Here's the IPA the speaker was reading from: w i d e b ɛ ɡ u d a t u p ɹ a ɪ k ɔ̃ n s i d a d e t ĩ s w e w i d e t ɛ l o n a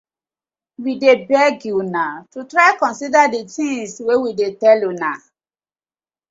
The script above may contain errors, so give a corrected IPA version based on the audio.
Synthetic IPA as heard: w i d e b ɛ ɡ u n a t u t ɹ a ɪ k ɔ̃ n s i d a d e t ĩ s w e w i d e t ɛ l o n a